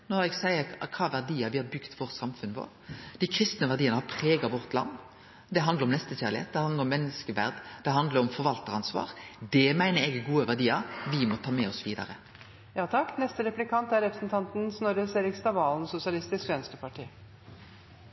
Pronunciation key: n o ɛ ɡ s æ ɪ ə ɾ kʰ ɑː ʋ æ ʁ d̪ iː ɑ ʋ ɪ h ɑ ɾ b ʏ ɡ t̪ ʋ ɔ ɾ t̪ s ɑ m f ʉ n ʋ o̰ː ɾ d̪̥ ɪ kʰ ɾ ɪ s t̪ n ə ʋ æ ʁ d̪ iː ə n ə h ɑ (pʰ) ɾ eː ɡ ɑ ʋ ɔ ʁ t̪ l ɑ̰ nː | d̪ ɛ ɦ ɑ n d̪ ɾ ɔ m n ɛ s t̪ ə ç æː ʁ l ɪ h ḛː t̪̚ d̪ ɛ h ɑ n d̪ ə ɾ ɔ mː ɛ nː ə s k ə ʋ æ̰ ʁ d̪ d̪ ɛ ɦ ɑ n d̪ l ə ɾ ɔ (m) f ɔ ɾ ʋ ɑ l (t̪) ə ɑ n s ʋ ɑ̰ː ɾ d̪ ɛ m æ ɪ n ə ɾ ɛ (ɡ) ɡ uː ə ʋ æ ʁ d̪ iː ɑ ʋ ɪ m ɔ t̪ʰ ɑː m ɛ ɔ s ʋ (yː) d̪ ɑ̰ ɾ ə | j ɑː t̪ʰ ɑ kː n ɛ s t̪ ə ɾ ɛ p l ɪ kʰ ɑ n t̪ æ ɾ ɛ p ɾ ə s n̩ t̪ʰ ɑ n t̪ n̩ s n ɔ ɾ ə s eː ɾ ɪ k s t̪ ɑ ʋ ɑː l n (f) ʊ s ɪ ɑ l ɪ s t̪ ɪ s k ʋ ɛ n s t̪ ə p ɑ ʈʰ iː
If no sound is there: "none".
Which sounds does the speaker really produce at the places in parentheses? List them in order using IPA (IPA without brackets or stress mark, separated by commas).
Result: pʰ, m, t̪, ɡ, iː, s